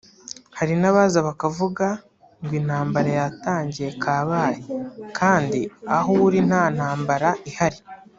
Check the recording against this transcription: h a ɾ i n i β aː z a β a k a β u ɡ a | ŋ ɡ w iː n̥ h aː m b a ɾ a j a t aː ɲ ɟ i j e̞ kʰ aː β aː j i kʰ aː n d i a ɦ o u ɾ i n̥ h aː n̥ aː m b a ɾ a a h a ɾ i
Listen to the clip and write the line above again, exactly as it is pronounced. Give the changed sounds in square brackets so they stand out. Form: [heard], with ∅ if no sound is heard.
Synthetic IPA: h a ɾ i n [a] β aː z a β a k a [v] u ɡ a | ŋ ɡ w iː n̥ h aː m b a ɾ a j a t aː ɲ ɟ i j e̞ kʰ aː β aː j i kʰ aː n d i a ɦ o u ɾ i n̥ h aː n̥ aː m b a ɾ a [i] h a ɾ i